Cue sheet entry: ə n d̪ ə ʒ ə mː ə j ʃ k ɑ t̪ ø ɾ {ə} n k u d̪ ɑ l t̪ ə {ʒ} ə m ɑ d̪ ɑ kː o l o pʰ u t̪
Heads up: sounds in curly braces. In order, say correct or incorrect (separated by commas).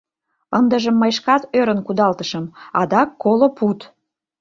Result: correct, incorrect